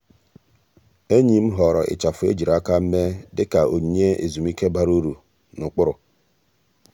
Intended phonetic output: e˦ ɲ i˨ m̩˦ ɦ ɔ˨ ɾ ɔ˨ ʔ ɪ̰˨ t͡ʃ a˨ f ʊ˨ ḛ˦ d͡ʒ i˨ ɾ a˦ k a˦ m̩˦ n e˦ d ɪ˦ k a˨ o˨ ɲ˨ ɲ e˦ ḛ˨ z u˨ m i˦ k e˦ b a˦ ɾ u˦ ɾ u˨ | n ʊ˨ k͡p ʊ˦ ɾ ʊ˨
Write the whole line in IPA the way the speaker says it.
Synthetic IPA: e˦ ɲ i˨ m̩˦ ɦ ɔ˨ ɾ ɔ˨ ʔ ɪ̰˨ t͡ʃ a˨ f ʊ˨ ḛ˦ d͡ʒ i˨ ɾ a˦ k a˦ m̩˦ m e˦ d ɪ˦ k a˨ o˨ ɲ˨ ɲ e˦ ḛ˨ z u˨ m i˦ k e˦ b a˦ ɾ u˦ ɾ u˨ | n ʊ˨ k͡p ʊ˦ ɾ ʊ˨

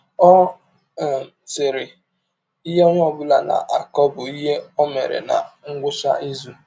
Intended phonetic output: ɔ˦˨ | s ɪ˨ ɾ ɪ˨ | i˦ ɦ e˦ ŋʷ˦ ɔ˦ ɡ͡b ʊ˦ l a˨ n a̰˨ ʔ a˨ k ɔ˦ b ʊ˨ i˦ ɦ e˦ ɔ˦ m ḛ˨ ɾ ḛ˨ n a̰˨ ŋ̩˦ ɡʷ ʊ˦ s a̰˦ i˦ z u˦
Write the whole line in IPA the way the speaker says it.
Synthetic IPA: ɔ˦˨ | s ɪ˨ ɾ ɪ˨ | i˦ ɦ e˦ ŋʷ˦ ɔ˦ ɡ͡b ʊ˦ l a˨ n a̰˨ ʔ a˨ k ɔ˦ b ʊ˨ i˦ ɦ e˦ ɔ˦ m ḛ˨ ɾ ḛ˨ n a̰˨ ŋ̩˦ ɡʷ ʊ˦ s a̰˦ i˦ z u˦

